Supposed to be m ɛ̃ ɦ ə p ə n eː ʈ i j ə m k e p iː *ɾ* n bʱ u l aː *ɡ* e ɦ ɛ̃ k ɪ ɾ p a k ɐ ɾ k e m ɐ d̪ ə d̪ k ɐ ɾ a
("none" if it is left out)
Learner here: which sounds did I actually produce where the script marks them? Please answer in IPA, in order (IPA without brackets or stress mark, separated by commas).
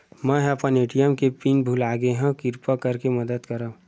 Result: none, ɡ